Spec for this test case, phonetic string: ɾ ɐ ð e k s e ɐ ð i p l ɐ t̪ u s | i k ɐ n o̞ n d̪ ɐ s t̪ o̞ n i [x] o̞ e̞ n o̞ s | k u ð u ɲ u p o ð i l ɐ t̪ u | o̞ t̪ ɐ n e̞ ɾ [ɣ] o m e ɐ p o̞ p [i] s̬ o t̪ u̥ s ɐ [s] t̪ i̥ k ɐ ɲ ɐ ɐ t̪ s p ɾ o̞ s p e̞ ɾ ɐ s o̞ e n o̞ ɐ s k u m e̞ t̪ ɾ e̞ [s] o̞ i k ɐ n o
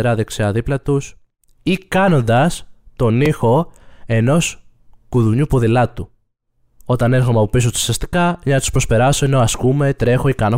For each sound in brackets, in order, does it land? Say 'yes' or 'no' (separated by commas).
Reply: yes, no, yes, yes, no